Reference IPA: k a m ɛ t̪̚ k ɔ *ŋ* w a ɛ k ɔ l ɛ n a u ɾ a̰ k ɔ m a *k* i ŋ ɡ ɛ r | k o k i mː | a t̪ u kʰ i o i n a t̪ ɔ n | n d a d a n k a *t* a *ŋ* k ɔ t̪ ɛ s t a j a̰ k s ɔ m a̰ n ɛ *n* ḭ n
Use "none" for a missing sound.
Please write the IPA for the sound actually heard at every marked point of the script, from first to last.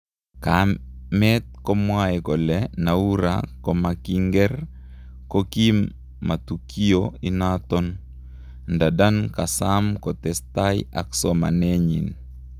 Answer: m, k, s, m, ɲ

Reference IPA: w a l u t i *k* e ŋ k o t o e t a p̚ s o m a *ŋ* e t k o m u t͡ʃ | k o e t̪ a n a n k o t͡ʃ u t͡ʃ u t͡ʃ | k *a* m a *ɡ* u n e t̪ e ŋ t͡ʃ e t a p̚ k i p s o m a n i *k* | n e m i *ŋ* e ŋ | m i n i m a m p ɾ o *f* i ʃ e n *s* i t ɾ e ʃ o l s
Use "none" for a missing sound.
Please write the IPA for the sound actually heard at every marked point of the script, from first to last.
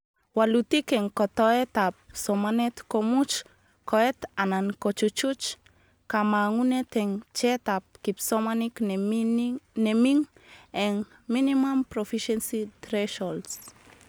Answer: k, n, a, ŋ, k, ŋ, f, s

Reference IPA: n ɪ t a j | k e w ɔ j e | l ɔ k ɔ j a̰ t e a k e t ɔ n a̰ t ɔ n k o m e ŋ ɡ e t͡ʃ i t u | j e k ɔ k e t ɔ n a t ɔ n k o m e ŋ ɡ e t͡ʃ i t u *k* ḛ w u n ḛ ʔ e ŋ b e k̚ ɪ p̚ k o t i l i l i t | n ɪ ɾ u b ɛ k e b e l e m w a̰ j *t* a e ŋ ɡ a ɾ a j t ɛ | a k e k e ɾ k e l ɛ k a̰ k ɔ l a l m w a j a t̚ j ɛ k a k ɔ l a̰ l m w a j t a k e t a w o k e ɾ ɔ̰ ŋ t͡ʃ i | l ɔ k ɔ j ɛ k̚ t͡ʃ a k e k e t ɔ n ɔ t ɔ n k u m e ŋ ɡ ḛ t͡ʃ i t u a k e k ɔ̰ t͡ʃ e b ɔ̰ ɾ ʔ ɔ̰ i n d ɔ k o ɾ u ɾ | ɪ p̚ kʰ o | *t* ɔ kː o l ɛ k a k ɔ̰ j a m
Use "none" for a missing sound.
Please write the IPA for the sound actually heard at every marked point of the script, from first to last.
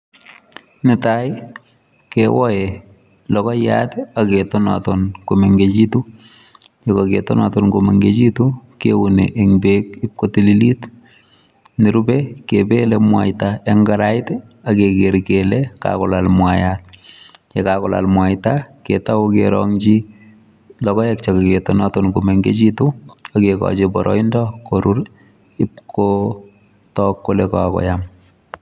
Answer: k, t, t

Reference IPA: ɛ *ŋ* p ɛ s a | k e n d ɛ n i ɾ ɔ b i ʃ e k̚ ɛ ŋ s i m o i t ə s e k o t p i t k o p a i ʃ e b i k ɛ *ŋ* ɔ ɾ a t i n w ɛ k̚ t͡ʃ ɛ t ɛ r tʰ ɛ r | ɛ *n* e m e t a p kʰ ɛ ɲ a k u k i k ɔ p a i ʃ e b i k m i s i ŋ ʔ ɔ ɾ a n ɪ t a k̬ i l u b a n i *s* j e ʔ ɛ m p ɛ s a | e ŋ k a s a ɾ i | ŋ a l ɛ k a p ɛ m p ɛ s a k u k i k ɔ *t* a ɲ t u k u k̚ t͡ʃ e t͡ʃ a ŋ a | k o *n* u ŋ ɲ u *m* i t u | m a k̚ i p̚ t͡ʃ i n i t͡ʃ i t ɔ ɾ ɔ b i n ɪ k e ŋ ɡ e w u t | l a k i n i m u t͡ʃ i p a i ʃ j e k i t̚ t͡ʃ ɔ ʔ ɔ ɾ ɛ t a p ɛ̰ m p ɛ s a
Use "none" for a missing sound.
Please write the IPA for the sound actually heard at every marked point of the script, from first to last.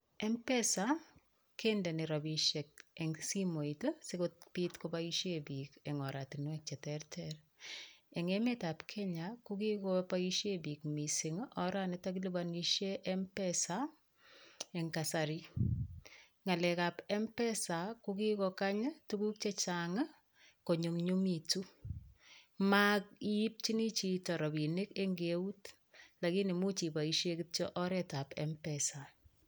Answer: m, ŋ, ŋ, ʃ, k, ɲ, m

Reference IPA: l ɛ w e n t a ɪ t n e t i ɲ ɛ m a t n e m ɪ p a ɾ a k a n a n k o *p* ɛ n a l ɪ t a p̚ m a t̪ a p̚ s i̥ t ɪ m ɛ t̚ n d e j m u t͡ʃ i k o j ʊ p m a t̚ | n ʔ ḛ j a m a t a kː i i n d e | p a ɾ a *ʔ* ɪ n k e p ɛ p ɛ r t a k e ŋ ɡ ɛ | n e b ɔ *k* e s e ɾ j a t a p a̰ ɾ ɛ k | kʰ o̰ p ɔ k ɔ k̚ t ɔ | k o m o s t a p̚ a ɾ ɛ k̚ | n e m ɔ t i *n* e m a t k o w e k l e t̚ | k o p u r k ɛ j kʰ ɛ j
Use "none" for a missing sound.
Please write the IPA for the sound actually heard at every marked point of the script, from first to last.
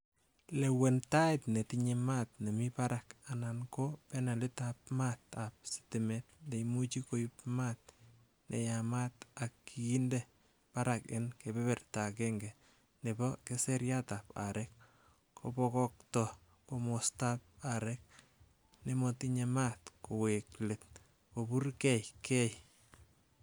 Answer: p, k, k, ɲ

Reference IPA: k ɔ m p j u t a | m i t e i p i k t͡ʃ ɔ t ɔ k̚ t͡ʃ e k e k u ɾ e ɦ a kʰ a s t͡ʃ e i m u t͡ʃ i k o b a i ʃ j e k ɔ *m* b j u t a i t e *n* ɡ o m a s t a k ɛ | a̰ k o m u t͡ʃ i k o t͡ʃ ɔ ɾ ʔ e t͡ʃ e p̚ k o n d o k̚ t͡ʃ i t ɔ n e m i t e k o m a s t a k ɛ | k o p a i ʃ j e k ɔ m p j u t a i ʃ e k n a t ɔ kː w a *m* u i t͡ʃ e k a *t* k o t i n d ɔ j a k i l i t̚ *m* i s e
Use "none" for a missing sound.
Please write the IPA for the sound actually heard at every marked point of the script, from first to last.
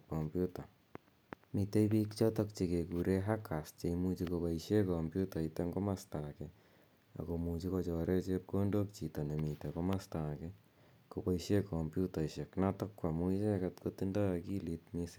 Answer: m, ŋ, m, t, m

